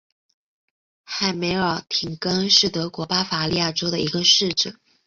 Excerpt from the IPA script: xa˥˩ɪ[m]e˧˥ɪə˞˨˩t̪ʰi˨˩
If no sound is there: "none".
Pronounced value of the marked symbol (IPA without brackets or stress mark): m